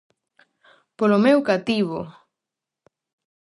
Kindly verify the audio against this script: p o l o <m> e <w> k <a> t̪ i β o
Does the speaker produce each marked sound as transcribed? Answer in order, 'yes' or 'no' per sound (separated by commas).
yes, yes, yes